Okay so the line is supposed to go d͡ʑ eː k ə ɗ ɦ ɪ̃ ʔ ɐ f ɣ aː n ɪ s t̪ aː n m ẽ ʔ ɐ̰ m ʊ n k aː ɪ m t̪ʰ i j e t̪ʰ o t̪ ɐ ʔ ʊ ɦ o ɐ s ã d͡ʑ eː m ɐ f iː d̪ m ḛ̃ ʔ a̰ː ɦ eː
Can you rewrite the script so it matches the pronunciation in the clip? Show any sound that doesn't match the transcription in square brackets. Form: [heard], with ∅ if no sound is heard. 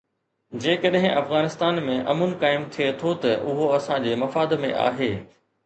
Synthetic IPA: d͡ʑ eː k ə ɗ ɦ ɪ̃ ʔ ɐ f ɣ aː n ɪ s t̪ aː n m ẽ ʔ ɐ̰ m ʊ n k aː ɪ m t̪ʰ i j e t̪ʰ o t̪ ɐ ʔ ʊ ɦ o ɐ s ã d͡ʑ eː m ɐ f [aː] d̪ m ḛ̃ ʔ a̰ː ɦ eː

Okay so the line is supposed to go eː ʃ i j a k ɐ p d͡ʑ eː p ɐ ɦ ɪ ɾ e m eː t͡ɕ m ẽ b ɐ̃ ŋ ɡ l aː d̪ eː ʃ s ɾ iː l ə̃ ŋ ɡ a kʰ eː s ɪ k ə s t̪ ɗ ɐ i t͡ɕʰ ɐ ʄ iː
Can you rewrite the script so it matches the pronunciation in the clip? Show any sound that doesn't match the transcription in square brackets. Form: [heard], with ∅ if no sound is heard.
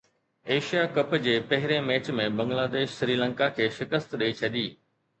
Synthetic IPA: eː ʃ i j a k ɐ p d͡ʑ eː p ɐ ɦ ɪ ɾ e m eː t͡ɕ m ẽ b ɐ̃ ŋ ɡ l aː d̪ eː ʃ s ɾ iː l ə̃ ŋ [k] a kʰ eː [ʃ] ɪ k ə s t̪ ɗ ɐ i t͡ɕʰ ɐ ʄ iː

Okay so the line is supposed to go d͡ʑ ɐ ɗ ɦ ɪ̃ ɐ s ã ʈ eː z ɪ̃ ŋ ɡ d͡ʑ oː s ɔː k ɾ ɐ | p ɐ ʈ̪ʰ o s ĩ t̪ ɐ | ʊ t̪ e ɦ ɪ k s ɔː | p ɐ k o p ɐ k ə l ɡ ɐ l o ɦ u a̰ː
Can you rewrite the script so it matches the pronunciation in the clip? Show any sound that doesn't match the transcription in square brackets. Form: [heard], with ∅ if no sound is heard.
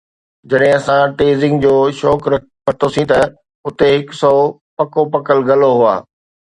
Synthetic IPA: d͡ʑ ɐ ɗ ɦ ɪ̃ ɐ s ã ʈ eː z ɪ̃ ŋ ɡ d͡ʑ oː [ʃ] ɔː k ɾ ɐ | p ɐ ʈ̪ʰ o s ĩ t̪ ɐ | ʊ t̪ e ɦ ɪ k s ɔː | p ɐ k o p ɐ k ə l ɡ ɐ l o ɦ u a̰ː

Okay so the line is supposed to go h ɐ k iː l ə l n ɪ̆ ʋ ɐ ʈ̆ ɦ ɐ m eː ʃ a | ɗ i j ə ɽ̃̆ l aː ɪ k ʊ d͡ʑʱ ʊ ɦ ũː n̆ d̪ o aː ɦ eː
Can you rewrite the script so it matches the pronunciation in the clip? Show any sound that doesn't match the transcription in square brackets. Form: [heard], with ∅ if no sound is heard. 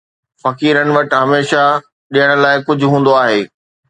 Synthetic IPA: [f] ɐ k iː [ɾ] ə [∅] n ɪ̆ ʋ ɐ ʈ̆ ɦ ɐ m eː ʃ a | ɗ i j ə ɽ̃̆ l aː ɪ k ʊ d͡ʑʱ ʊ ɦ ũː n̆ d̪ o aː ɦ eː

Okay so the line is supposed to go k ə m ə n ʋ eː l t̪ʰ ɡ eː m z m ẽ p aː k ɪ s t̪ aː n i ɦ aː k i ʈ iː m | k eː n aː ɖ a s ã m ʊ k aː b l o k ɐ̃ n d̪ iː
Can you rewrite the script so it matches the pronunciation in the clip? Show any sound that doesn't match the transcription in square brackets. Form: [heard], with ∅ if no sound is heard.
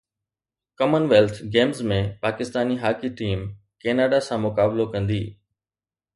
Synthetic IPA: k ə m ə n ʋ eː l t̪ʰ ɡ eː m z m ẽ p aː k ɪ s t̪ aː n i ɦ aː k i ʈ iː m | k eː n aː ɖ a s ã m ʊ k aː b l o k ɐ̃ n d̪ iː

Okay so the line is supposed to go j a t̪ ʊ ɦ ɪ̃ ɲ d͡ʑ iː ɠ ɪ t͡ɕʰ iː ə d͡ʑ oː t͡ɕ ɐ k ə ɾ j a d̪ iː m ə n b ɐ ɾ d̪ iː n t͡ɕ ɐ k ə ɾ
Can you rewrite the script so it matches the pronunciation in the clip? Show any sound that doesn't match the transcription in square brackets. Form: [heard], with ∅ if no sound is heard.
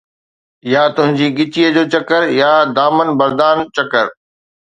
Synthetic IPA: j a t̪ ʊ ɦ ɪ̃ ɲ d͡ʑ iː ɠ ɪ [t͡ɕ] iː ə d͡ʑ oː t͡ɕ ɐ k ə ɾ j a d̪ [aː] m ə n b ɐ ɾ d̪ [aː] n t͡ɕ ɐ k ə ɾ

